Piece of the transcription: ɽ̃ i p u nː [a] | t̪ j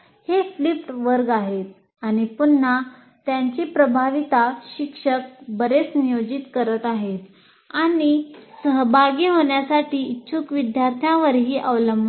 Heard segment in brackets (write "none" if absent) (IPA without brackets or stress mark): a